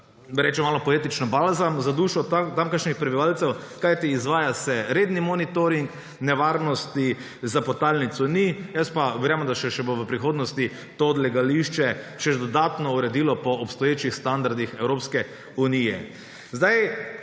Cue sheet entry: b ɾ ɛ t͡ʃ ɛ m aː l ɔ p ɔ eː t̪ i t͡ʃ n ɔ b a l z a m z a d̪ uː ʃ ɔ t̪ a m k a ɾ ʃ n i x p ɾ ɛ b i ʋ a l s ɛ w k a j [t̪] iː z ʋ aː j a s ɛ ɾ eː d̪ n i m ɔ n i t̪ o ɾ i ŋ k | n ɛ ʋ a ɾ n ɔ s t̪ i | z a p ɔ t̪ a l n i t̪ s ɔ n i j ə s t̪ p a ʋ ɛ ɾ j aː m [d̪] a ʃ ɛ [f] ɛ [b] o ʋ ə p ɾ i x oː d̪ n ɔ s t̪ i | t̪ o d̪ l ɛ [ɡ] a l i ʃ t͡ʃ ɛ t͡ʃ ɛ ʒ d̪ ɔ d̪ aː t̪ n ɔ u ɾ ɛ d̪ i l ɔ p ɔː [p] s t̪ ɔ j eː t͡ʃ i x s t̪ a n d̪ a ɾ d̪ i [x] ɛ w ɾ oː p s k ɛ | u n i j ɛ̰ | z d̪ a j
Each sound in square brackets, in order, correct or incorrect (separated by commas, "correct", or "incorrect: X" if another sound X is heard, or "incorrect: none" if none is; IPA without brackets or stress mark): correct, correct, incorrect: ʃ, correct, correct, correct, correct